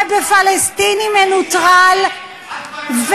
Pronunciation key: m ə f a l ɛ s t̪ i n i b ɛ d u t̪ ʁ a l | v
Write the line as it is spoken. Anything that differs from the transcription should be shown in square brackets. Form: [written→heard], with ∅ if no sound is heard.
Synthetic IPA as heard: [m→b] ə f a l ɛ s t̪ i n i [b→m] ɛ [d→n] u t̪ ʁ a l | v